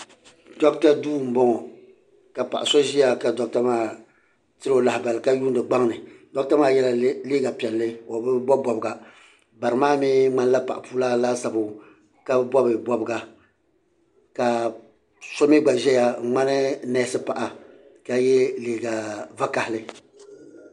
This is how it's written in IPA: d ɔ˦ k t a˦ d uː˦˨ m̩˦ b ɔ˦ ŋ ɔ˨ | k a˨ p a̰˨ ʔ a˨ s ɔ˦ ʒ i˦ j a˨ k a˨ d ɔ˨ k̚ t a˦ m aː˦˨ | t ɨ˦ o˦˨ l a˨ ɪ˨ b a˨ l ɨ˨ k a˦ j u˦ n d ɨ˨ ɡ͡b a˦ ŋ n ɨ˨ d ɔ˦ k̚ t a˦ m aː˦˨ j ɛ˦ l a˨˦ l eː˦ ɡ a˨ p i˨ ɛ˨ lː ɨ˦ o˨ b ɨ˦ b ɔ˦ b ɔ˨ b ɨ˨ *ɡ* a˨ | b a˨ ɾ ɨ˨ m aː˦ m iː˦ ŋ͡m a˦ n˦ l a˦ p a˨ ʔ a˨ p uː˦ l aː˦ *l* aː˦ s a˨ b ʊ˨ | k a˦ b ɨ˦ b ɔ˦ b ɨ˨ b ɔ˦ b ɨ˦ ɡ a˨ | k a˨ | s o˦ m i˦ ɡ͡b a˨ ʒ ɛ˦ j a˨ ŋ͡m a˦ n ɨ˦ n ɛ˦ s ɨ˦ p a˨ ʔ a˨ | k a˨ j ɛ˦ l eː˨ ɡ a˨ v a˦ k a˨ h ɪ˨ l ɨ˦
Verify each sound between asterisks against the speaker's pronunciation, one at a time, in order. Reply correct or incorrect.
correct, correct

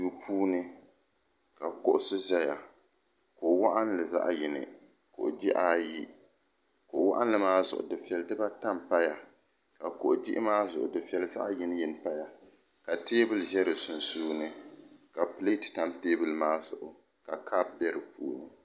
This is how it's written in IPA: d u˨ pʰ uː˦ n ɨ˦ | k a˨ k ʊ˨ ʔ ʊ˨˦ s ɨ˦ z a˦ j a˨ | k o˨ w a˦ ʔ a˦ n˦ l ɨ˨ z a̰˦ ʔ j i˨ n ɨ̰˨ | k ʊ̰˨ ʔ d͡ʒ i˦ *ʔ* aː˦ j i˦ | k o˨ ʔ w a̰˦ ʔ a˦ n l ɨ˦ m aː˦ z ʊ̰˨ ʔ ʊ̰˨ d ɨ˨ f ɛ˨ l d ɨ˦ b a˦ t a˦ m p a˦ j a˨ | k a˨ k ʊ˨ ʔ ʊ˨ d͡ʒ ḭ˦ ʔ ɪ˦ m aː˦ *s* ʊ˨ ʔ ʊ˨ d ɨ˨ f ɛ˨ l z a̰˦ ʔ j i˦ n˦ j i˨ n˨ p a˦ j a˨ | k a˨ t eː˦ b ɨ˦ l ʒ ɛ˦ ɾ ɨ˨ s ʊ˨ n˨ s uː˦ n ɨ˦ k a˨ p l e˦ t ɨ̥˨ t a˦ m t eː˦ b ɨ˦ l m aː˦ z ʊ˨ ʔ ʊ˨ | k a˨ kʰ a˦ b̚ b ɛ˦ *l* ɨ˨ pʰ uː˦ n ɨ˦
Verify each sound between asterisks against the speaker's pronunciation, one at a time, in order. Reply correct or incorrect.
correct, incorrect, incorrect

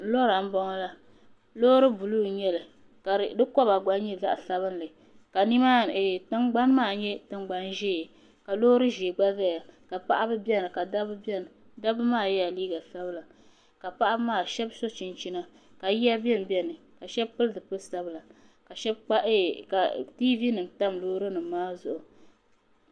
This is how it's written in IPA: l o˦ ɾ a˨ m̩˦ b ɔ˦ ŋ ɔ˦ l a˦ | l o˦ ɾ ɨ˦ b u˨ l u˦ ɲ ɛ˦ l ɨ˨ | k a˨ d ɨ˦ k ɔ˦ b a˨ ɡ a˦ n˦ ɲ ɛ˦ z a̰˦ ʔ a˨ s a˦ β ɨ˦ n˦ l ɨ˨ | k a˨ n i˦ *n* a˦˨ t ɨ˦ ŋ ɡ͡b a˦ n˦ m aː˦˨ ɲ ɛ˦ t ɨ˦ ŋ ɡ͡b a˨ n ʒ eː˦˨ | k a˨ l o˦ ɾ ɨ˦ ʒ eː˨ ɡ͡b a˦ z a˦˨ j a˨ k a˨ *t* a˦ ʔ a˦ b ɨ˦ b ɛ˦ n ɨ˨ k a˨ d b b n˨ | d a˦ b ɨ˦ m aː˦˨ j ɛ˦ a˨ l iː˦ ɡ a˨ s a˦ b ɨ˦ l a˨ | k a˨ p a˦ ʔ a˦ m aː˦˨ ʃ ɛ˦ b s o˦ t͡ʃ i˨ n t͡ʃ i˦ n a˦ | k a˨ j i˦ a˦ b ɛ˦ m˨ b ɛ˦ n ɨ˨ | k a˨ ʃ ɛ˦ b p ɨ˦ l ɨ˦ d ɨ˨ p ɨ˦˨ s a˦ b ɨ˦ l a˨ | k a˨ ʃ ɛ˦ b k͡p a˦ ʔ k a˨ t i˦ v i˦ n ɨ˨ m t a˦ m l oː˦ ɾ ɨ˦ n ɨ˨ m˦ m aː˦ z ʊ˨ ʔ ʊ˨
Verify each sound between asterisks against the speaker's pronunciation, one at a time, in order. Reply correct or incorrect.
incorrect, incorrect

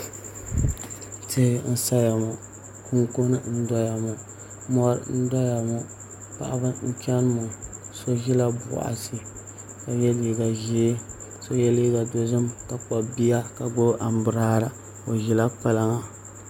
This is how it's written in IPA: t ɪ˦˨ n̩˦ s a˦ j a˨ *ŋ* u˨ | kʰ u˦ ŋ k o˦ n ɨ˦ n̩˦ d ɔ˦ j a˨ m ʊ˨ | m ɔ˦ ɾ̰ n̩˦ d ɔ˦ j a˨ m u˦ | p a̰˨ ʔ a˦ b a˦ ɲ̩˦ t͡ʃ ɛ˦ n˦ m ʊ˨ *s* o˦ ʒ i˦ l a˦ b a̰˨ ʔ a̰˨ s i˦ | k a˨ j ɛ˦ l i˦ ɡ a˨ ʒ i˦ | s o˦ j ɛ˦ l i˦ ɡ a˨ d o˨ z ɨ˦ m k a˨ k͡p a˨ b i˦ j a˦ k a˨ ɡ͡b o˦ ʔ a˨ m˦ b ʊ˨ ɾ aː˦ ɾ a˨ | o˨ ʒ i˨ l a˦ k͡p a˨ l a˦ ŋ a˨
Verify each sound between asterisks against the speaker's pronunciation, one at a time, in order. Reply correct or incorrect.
incorrect, correct

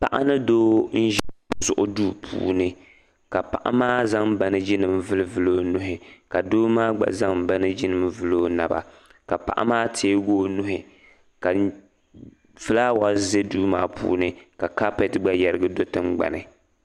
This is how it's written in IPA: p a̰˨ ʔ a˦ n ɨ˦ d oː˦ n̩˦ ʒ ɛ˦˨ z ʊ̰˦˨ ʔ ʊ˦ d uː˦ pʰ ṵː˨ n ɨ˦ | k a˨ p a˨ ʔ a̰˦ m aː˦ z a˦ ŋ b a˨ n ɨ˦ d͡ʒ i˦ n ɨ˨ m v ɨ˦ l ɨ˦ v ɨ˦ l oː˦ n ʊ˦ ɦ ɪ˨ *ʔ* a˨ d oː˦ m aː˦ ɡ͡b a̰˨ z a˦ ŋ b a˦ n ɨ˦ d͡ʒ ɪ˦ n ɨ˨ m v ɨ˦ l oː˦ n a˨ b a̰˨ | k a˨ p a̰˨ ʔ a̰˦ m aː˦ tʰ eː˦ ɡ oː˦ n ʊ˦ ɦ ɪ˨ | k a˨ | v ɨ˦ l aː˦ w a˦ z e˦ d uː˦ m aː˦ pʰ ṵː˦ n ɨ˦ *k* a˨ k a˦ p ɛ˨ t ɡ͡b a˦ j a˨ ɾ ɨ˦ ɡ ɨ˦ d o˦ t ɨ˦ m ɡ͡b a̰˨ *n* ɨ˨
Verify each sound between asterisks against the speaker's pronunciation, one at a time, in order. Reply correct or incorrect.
incorrect, correct, correct

